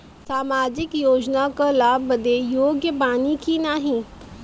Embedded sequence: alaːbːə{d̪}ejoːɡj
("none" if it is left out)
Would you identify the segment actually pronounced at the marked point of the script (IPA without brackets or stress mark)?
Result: d̪